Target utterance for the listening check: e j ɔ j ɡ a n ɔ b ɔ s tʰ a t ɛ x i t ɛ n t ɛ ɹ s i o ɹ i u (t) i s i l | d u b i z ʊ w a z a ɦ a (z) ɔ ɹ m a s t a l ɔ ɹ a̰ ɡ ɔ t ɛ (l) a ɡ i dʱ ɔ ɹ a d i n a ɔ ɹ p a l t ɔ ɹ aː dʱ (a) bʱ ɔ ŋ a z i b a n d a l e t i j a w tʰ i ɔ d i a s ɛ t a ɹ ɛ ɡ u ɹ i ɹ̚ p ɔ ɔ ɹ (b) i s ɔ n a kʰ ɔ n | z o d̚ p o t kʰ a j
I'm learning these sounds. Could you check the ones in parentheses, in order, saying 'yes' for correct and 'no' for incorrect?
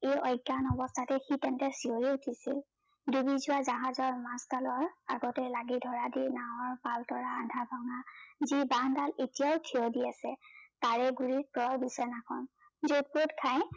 no, yes, yes, yes, yes

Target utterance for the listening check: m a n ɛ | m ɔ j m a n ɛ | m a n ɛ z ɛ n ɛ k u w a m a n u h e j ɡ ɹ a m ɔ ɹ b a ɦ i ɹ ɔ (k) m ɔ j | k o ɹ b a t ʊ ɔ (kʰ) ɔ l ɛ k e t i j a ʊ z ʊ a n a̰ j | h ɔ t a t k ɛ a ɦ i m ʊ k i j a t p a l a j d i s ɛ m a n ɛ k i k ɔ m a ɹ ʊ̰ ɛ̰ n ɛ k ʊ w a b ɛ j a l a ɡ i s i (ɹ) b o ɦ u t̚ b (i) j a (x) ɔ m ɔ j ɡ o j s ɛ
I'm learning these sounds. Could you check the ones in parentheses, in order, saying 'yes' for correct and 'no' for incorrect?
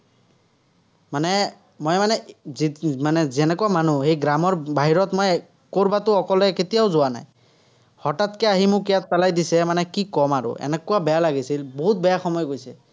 no, no, no, no, yes

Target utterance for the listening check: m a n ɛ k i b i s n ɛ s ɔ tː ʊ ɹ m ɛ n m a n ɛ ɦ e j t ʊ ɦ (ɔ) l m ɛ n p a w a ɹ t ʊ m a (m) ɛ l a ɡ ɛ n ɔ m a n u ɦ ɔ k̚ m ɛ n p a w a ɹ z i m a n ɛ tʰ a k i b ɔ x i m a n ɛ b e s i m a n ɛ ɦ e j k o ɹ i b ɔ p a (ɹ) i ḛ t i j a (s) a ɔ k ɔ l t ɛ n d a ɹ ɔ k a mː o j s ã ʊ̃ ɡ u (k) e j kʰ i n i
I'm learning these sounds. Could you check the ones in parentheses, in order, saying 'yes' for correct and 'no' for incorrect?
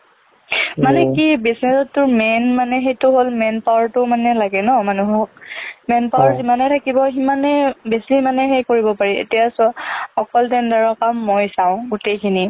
no, no, yes, yes, no

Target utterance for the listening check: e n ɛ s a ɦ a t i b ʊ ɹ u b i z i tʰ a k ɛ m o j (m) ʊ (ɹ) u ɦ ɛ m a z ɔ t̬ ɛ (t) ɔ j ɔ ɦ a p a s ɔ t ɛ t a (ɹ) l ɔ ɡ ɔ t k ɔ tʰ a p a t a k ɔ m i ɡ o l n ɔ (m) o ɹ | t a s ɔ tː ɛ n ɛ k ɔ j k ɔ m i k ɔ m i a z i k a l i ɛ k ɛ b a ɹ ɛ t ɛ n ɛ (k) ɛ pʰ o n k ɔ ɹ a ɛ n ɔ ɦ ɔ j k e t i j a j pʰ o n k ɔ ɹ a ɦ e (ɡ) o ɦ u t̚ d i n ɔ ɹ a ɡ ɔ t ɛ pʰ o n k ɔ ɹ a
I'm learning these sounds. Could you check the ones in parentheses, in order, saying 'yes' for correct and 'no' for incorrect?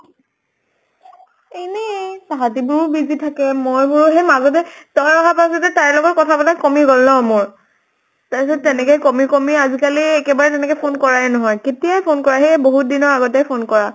no, yes, yes, yes, yes, yes, no

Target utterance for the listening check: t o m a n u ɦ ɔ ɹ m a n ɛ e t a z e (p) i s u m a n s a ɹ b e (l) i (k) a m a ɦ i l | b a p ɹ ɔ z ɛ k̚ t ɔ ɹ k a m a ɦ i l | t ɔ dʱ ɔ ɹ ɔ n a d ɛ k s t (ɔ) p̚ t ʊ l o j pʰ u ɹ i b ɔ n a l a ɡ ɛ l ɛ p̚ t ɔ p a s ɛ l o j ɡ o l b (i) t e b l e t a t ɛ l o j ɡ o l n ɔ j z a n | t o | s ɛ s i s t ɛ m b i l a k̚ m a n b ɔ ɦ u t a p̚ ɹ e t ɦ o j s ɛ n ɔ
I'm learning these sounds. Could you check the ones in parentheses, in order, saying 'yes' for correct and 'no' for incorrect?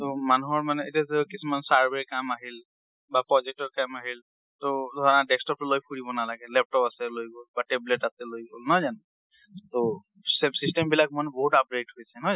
no, no, yes, yes, no

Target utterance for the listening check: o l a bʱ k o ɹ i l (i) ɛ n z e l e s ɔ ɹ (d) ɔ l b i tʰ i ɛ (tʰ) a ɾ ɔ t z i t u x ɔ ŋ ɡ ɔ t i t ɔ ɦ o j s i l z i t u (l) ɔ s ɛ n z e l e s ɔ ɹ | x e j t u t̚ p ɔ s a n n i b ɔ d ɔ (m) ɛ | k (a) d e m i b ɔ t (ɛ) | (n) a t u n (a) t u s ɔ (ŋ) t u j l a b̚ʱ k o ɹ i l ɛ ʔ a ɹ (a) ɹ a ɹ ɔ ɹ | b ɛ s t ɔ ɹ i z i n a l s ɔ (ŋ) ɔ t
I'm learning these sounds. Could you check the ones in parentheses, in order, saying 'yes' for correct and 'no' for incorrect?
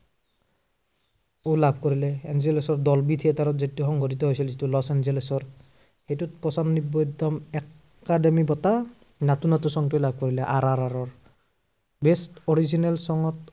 no, yes, no, yes, yes, yes, no, yes, yes, yes, yes, yes

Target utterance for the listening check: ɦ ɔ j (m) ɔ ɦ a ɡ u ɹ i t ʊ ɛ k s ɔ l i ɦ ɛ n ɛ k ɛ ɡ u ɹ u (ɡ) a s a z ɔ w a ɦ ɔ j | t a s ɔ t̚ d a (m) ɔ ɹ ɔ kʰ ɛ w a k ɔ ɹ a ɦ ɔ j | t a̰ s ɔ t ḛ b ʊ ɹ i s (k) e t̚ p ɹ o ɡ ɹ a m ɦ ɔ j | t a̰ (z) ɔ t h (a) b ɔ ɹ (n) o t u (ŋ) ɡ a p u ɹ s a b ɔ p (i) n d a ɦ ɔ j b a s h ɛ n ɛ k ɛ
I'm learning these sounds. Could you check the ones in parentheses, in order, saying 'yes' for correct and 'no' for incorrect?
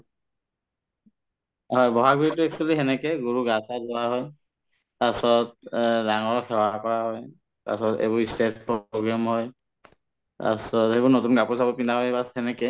no, yes, no, no, no, no, yes, no, yes

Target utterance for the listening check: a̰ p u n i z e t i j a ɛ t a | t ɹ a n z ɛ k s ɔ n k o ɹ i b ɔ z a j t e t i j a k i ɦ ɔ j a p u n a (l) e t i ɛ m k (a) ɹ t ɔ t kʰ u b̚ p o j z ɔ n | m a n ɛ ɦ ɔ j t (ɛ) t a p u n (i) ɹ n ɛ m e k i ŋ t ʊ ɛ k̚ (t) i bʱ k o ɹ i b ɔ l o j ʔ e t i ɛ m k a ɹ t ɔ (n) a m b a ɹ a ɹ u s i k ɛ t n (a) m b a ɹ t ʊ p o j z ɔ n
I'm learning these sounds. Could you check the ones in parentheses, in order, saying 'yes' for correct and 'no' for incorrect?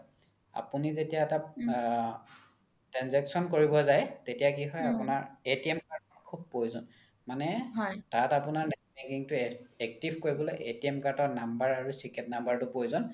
no, yes, no, no, yes, yes, yes

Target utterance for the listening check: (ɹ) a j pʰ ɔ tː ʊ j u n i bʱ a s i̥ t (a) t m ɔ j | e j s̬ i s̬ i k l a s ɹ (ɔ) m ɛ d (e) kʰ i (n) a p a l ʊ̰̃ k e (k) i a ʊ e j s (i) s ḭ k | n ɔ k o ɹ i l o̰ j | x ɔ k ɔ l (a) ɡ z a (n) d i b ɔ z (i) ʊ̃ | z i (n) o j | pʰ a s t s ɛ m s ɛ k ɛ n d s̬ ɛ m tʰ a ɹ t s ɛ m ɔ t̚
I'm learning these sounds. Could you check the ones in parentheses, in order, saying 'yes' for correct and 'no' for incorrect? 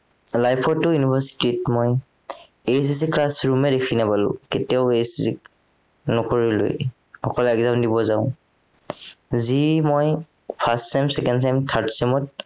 no, no, no, yes, yes, no, yes, no, no, no, no

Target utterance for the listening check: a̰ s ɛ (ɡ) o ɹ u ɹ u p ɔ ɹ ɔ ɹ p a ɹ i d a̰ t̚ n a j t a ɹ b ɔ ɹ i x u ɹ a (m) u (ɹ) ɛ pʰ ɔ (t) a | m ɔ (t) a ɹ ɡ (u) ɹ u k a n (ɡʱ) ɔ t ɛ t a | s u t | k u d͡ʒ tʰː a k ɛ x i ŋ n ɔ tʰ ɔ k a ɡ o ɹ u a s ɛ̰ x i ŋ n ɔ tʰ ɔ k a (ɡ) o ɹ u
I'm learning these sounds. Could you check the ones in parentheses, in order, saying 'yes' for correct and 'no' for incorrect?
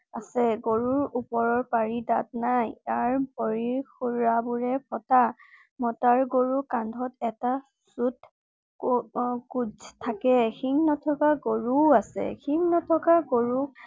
yes, no, yes, yes, yes, no, no, yes

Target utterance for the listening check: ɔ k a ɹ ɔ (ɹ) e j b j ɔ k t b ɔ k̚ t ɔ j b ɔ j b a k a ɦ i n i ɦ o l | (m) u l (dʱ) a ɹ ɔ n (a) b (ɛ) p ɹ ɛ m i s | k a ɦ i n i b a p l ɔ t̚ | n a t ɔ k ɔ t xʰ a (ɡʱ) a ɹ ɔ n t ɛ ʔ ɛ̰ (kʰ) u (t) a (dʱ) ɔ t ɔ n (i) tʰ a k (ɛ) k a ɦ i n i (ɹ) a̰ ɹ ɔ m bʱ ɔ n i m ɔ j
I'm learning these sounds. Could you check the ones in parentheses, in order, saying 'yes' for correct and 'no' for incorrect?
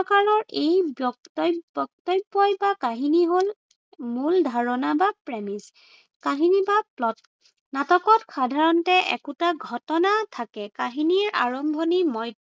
yes, yes, yes, yes, no, no, no, yes, no, no, yes, yes

